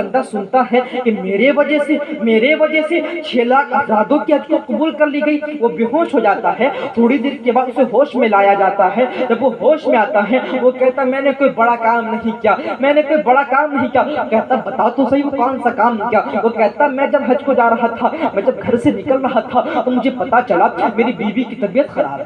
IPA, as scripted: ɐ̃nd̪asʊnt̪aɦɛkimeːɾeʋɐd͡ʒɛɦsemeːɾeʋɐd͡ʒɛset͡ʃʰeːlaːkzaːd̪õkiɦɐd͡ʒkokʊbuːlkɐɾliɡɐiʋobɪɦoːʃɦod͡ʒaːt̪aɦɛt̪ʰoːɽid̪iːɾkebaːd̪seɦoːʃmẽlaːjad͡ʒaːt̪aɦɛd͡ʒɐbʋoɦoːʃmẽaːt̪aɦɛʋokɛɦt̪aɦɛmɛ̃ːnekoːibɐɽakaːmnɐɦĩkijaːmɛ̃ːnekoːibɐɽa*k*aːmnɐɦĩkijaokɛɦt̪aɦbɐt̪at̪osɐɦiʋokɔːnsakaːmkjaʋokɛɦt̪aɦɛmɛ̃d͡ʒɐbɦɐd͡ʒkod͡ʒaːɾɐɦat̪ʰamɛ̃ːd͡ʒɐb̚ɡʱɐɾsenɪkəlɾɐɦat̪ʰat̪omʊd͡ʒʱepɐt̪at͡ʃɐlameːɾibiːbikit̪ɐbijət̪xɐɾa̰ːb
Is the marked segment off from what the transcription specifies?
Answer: no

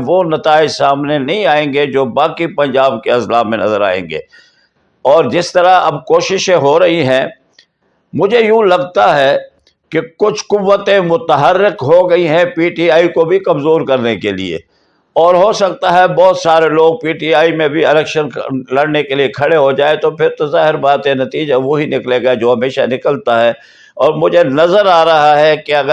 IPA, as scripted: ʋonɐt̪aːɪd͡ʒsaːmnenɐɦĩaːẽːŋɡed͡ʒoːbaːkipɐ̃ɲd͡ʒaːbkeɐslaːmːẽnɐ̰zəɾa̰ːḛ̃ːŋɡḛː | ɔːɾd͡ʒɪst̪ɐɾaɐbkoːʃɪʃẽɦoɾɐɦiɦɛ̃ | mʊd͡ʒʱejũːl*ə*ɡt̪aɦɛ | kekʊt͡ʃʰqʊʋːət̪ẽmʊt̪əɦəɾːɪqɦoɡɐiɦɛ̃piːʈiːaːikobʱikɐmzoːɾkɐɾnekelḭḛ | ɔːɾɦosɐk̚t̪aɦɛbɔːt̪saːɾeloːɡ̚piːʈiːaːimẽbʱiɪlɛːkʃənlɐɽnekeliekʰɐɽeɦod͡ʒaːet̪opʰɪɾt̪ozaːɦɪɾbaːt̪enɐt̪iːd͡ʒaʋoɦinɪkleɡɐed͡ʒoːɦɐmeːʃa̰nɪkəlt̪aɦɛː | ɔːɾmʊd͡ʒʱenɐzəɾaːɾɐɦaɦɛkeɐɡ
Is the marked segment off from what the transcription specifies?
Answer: yes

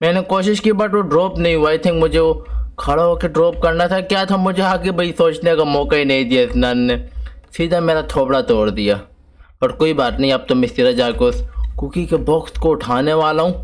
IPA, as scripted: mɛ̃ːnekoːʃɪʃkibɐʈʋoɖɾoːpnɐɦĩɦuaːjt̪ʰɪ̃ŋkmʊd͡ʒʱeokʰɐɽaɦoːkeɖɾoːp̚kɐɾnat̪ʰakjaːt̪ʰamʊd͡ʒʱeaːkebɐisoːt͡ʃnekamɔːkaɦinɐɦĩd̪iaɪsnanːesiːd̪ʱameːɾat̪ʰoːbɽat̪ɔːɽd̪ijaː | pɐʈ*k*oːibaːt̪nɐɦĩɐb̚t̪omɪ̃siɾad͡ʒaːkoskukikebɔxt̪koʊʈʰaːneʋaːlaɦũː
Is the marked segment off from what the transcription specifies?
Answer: no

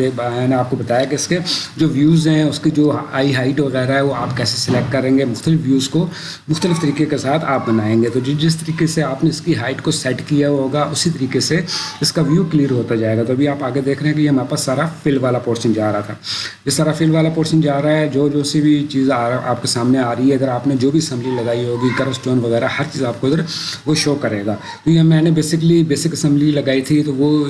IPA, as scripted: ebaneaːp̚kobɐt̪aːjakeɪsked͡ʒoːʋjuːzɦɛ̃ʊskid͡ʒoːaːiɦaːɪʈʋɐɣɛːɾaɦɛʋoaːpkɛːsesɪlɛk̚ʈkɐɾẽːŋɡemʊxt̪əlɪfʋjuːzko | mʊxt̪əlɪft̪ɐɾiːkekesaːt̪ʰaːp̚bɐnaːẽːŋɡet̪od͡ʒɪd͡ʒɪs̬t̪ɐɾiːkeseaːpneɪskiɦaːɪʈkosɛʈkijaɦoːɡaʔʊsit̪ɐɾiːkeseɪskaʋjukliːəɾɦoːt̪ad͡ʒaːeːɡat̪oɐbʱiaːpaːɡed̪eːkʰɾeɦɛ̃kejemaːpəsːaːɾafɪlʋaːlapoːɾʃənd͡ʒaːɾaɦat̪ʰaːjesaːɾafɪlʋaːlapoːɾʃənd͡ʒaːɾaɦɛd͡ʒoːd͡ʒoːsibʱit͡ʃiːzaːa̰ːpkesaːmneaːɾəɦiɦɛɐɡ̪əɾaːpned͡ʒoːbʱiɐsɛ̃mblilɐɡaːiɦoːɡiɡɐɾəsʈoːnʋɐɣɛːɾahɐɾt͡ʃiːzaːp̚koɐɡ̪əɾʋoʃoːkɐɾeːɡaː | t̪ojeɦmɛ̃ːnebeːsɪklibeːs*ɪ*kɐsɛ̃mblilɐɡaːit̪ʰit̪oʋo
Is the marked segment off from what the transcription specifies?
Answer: no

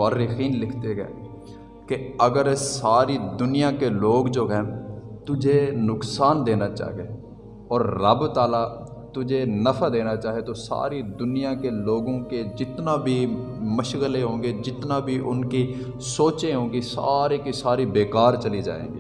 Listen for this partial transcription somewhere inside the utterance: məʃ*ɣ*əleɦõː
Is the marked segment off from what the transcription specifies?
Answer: no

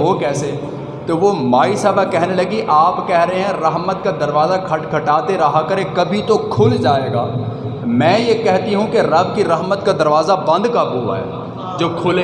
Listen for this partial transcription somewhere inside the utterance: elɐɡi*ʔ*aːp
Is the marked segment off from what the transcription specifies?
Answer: no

